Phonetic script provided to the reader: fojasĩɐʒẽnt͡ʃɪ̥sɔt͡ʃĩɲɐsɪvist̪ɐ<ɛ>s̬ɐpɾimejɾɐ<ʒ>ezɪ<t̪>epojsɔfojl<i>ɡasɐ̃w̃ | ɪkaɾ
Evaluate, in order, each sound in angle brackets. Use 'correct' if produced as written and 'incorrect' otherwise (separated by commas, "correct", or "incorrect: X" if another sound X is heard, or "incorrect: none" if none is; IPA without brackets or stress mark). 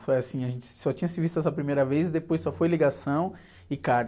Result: correct, incorrect: v, incorrect: d̪, correct